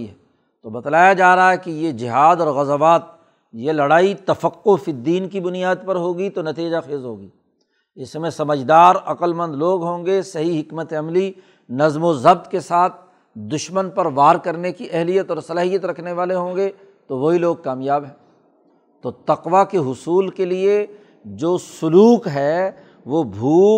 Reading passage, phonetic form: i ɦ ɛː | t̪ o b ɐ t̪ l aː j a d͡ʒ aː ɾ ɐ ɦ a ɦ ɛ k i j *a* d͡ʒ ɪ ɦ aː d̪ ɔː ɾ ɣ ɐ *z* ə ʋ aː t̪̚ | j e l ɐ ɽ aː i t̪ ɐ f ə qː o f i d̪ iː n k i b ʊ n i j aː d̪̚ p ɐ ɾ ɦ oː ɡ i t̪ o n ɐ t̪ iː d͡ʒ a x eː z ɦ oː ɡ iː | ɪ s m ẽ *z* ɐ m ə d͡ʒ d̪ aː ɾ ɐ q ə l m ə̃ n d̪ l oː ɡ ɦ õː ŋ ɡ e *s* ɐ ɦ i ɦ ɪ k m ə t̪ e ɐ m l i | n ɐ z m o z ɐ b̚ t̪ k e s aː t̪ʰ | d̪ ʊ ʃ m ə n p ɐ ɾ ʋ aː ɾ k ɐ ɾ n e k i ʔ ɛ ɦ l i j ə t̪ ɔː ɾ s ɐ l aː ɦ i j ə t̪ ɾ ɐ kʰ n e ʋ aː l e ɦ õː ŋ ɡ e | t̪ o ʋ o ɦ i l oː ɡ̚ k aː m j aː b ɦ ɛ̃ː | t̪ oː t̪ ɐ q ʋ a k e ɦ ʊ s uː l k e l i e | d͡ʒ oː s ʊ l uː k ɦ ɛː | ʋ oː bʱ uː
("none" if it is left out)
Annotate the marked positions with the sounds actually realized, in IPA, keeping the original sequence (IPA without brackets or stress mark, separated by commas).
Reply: e, z, s, s